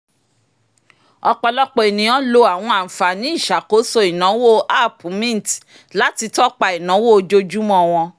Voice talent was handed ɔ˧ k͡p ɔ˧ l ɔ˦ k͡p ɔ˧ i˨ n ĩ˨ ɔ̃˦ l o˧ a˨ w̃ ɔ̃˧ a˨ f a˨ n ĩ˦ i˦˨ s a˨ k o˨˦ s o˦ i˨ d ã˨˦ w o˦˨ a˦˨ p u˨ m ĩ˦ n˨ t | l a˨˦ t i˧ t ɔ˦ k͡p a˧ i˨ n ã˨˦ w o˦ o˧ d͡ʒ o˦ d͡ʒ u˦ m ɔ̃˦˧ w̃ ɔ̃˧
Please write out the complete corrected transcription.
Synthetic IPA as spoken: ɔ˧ k͡p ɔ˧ l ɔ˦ k͡p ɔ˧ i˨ n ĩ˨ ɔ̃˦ l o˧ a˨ w̃ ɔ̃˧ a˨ f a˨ n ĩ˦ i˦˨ ʃ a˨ k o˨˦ s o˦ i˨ n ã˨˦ w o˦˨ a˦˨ p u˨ m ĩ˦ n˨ t | l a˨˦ t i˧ t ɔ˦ k͡p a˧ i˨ n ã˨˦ w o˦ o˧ d͡ʒ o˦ d͡ʒ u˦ m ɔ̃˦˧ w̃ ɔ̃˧